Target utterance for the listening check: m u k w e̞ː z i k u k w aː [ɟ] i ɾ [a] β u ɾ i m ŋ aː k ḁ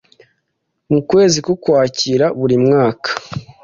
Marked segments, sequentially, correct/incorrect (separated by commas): incorrect, correct